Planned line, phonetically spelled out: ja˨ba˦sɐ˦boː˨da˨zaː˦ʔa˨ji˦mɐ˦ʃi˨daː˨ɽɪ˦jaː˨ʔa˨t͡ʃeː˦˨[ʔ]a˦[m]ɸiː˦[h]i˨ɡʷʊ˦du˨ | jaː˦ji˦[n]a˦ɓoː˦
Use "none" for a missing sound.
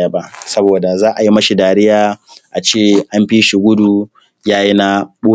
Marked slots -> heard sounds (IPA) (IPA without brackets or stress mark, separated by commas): ʔ, m, ʃ, n